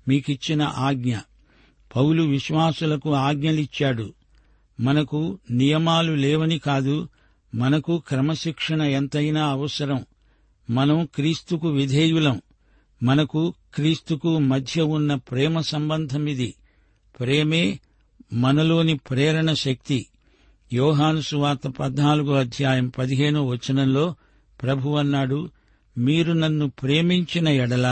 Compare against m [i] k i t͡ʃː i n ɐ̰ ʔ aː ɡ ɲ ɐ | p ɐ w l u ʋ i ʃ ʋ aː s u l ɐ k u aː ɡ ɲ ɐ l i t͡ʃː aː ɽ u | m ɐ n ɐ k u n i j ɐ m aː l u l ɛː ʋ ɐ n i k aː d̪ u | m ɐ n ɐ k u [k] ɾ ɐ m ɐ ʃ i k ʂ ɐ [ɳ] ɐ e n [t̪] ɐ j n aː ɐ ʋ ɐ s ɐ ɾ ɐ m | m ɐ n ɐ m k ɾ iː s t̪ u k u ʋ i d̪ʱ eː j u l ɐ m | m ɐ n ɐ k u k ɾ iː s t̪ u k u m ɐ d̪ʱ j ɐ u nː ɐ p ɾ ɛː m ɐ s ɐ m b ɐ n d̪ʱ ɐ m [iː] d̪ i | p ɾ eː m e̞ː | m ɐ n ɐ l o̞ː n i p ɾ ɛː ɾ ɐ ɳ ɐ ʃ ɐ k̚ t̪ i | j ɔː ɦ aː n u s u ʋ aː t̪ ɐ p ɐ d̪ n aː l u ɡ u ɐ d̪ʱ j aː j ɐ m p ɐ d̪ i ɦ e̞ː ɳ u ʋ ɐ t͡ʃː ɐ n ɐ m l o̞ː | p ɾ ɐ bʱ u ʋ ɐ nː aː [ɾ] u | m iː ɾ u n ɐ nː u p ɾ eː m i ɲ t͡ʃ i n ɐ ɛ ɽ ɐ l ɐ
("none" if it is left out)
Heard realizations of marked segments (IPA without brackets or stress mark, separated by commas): iː, k, ɳ, t̪, i, ɽ